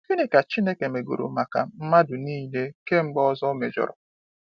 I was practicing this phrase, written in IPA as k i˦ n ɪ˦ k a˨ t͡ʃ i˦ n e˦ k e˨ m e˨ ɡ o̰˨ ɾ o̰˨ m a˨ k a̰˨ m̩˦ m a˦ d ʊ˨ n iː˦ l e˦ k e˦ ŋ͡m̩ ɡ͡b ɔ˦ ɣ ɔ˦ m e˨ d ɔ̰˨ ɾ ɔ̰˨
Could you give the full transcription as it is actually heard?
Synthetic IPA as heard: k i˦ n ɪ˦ k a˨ t͡ʃ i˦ n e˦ k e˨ m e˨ ɡ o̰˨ ɾ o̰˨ m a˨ k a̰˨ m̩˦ m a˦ d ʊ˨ n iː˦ l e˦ k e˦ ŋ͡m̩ ɡ͡b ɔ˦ z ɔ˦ m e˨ d͡ʒ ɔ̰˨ ɾ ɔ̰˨